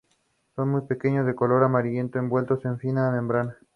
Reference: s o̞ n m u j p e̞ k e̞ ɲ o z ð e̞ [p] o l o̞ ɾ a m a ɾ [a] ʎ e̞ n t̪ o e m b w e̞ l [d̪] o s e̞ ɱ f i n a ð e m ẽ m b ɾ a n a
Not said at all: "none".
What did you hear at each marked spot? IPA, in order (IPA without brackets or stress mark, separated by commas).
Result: k, i, t̪